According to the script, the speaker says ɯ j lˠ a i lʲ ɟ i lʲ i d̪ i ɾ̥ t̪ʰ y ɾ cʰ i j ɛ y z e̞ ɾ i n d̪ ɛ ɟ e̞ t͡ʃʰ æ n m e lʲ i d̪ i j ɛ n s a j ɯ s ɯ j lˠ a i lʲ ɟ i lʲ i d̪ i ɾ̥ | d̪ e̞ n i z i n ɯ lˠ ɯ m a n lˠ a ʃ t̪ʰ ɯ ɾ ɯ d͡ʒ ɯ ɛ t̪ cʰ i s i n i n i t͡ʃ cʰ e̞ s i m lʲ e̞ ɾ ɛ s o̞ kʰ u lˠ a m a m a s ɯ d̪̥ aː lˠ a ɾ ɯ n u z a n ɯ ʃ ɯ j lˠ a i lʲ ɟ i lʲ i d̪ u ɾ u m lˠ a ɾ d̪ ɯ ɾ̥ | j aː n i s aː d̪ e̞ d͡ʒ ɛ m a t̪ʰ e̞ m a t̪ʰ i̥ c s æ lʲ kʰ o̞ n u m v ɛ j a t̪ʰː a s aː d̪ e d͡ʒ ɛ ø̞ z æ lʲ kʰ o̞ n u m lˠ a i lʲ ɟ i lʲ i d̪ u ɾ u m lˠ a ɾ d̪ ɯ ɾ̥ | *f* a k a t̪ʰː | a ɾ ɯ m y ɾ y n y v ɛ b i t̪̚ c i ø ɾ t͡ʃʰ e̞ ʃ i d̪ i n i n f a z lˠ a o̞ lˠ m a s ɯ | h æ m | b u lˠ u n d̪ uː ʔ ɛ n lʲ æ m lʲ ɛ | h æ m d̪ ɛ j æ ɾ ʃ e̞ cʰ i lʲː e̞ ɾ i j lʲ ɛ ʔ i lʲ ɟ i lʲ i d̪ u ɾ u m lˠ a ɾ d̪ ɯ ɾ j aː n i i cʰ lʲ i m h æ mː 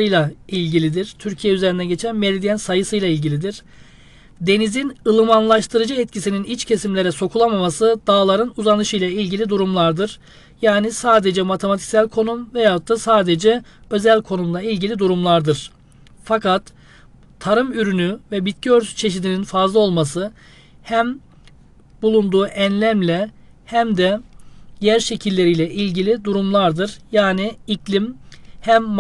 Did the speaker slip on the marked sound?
no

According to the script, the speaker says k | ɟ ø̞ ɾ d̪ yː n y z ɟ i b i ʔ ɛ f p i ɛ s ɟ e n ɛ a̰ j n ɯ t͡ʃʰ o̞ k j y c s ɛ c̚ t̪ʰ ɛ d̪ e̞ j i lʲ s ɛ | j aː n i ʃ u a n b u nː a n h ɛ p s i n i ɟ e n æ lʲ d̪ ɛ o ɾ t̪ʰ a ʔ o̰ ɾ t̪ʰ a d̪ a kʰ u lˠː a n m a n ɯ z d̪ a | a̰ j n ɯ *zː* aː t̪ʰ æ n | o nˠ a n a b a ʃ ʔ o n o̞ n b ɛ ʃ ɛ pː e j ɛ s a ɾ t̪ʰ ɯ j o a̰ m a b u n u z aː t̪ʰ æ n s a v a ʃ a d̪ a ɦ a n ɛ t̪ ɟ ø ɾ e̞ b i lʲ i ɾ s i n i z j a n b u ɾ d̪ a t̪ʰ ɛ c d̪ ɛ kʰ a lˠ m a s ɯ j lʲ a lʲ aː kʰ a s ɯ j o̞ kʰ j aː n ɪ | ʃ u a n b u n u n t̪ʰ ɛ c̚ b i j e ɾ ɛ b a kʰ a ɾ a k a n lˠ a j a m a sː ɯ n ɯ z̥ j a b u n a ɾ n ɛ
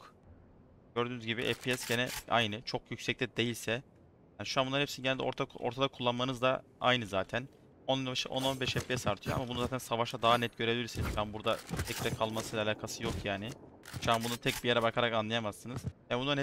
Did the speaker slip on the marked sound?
yes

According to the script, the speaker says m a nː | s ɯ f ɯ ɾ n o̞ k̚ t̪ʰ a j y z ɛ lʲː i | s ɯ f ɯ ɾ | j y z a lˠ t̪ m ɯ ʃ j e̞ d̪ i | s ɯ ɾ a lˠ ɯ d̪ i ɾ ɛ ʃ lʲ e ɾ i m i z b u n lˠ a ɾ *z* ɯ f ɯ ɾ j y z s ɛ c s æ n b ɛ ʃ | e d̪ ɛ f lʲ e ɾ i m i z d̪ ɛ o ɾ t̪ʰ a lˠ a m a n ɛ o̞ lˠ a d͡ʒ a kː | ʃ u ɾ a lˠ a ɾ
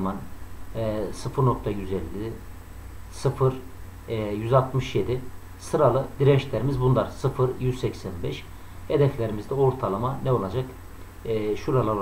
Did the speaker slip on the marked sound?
yes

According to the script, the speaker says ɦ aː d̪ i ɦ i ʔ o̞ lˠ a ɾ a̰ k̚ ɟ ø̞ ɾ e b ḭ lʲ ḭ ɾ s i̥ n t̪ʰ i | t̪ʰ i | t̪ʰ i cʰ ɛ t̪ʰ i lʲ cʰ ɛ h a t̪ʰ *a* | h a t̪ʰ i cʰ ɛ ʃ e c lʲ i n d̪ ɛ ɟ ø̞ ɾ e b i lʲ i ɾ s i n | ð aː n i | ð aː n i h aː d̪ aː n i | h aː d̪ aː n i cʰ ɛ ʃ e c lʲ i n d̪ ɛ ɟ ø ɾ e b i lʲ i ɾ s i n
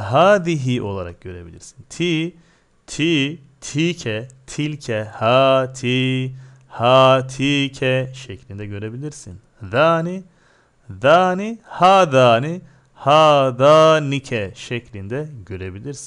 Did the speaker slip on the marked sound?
yes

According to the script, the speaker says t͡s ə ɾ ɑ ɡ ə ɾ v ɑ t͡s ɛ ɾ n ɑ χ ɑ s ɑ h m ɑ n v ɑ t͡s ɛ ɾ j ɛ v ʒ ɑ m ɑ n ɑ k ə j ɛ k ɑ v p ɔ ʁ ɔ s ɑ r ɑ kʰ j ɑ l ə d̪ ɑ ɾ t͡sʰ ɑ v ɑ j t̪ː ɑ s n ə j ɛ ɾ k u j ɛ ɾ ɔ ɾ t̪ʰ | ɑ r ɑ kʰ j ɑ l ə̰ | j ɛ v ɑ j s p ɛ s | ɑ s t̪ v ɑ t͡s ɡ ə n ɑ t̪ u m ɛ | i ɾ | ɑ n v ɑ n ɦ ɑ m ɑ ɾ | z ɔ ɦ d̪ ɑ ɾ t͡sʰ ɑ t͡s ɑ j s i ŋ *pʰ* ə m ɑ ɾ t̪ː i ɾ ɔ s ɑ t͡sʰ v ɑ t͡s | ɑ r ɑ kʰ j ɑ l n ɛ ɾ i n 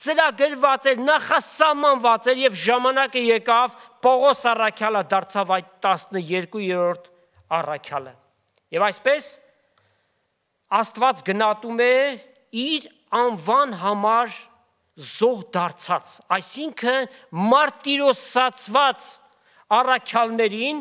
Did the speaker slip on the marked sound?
yes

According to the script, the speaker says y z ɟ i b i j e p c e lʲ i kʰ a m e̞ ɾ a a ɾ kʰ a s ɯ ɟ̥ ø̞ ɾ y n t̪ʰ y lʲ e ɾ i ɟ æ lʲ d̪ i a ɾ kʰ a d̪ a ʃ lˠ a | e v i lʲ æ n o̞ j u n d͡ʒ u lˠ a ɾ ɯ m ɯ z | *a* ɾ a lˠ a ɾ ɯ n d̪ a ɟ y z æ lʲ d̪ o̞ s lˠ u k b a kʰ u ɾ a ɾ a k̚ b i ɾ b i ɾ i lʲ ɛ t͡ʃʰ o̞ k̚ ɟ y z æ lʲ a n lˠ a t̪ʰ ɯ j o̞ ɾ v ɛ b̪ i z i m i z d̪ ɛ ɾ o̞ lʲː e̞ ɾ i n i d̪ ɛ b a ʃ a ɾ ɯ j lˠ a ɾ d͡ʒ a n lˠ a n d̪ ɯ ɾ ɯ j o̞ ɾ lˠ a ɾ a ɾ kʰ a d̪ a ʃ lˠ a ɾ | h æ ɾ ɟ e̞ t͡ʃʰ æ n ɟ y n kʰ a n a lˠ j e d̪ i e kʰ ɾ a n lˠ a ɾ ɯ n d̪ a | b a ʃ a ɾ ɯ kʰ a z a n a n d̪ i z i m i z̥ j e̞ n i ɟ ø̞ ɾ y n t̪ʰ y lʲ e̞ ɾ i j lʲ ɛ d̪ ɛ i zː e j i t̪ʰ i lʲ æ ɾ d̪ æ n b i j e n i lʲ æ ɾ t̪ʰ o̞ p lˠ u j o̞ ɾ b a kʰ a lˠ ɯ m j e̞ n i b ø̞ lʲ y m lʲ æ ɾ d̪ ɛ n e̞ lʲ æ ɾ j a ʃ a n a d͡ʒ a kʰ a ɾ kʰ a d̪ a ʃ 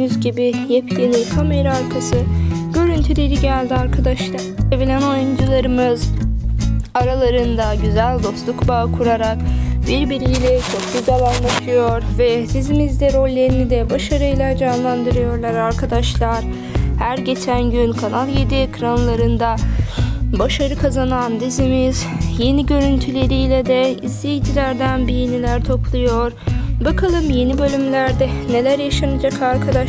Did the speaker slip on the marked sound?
no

